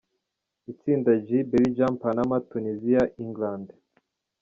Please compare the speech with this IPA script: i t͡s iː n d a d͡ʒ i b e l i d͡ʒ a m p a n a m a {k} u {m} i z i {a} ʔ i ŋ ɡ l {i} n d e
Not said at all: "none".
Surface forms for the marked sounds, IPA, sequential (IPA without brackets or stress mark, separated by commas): t, n, a, a